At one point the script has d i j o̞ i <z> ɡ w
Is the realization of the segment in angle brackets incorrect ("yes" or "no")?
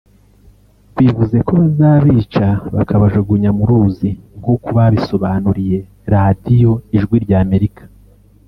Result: yes